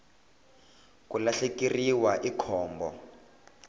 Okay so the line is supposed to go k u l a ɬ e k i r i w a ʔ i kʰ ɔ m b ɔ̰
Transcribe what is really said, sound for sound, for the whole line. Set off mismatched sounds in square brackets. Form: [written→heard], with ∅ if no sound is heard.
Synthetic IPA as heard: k u l a ɬ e k i r i w a ʔ i kʰ [ɔ→ɔː] m b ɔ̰